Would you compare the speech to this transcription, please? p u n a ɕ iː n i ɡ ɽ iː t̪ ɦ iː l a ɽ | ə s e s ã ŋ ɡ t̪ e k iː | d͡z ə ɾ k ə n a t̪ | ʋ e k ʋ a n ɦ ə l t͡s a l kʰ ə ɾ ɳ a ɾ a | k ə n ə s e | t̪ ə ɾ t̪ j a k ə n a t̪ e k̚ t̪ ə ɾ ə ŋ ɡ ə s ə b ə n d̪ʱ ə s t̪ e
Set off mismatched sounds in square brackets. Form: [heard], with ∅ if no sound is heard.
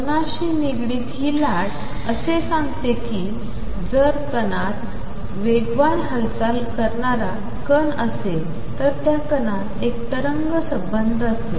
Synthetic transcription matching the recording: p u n a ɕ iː n i ɡ ɽ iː t̪ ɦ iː l a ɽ | ə s e s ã ŋ ɡ t̪ e k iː | d͡z ə ɾ k ə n a t̪ | ʋ e [ɡ] ʋ a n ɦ ə l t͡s a l [k] ə ɾ ɳ a ɾ a | k ə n ə s e | t̪ ə ɾ t̪ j a k ə n a t̪ e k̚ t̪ ə ɾ ə ŋ ɡ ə s ə b ə n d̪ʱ ə s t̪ e